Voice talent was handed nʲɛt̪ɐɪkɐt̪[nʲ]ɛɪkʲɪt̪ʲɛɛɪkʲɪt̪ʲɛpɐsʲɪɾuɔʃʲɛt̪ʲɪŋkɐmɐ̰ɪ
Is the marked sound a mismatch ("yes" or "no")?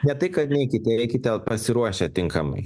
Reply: no